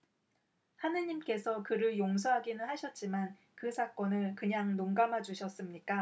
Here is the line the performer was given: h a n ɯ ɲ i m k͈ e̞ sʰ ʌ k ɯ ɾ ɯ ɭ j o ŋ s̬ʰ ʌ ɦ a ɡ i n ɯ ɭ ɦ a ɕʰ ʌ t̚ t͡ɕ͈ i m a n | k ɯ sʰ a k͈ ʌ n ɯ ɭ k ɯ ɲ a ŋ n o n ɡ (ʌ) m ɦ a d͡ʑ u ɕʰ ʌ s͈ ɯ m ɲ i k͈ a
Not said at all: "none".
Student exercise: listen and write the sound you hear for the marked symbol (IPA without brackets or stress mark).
a